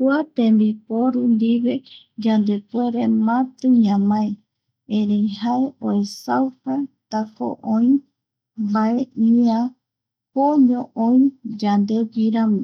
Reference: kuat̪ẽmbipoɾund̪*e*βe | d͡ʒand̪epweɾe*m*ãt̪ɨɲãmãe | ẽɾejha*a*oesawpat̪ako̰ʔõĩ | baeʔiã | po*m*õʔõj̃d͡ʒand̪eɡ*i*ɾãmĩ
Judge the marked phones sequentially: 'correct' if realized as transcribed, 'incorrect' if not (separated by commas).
incorrect, correct, incorrect, incorrect, correct